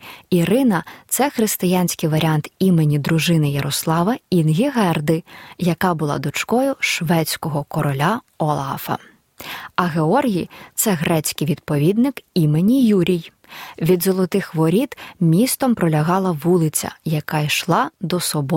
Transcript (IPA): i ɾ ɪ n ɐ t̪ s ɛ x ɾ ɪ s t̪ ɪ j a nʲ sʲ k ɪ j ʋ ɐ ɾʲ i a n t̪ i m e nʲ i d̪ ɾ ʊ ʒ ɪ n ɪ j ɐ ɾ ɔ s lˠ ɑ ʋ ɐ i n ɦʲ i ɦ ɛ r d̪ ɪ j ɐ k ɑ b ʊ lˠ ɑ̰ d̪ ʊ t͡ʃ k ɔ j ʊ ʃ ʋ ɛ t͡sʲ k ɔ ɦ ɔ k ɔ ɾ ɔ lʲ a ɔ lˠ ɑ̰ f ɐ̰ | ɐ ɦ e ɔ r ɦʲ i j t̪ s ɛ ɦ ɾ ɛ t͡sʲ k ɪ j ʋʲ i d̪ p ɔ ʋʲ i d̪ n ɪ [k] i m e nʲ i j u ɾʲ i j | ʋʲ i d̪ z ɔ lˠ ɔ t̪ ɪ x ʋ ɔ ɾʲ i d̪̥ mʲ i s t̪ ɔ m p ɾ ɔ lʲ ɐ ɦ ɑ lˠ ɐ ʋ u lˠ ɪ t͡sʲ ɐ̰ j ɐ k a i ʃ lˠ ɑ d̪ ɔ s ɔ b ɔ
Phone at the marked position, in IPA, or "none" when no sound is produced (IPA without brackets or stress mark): k